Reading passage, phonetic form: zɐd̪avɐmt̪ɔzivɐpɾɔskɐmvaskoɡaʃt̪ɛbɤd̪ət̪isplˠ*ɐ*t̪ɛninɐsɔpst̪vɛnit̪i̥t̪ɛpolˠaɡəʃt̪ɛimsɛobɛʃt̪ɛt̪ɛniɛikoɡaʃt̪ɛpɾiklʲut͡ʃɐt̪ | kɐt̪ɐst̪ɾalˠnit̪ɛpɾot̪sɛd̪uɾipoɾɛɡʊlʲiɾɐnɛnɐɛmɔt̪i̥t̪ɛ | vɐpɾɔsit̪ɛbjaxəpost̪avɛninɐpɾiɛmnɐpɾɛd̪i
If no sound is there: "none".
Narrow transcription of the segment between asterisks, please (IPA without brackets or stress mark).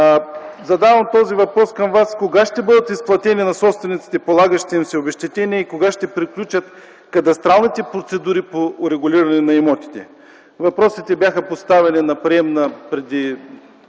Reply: ɐ